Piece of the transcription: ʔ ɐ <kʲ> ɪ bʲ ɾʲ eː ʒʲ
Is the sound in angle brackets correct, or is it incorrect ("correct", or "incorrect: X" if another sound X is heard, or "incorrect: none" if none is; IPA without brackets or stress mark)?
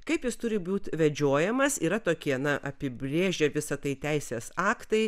incorrect: pʲ